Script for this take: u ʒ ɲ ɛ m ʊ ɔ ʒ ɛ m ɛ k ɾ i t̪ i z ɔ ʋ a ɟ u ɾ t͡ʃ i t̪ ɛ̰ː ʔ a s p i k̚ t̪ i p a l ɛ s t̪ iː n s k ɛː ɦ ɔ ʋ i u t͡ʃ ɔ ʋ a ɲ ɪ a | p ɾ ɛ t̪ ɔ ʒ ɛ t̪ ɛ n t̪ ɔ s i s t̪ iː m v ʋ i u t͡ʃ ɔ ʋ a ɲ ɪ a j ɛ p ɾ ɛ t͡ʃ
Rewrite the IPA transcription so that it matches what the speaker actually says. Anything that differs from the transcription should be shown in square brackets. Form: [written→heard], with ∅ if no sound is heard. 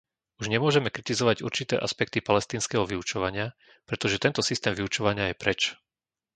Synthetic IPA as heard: u ʒ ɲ ɛ m ʊ ɔ ʒ ɛ m ɛ k ɾ i t̪ i z ɔ ʋ a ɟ u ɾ t͡ʃ i t̪ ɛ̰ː ʔ a s p [i→ɛ] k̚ t̪ i p a l ɛ s t̪ iː n s k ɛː ɦ ɔ ʋ i u t͡ʃ ɔ ʋ a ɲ ɪ a | p ɾ ɛ t̪ ɔ ʒ ɛ t̪ ɛ n t̪ ɔ s i s t̪ [iː→ɛː] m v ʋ i u t͡ʃ ɔ ʋ a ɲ ɪ a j ɛ p ɾ ɛ t͡ʃ